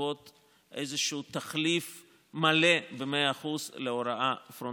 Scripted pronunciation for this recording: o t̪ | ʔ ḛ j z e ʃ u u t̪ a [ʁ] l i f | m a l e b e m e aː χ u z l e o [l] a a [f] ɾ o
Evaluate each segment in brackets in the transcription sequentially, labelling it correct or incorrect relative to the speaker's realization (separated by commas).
incorrect, incorrect, correct